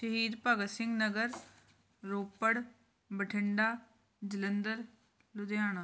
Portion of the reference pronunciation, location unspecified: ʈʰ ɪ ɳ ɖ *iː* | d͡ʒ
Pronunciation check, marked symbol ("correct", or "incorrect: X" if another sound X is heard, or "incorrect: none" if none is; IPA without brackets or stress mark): incorrect: aː